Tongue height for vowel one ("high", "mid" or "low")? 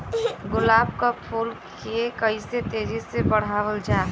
high